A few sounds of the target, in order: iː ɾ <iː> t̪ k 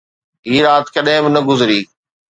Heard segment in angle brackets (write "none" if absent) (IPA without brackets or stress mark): aː